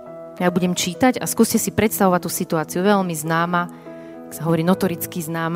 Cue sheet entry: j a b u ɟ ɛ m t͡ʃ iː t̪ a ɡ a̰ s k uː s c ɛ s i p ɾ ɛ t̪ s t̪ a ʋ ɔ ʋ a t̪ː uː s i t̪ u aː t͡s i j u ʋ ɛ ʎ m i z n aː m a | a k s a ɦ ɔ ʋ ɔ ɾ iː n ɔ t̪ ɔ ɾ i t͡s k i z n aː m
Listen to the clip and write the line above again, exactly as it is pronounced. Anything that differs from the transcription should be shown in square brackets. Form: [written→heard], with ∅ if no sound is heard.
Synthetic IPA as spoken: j a b u ɟ ɛ m t͡ʃ iː t̪ a [ɡ→ɟ] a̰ s k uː s c ɛ s i p ɾ ɛ t̪ s t̪ a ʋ ɔ ʋ a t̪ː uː s i t̪ u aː t͡s i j u ʋ ɛ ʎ m i z n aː m a | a k s a ɦ ɔ ʋ ɔ ɾ iː n ɔ t̪ ɔ ɾ i t͡s k i z n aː m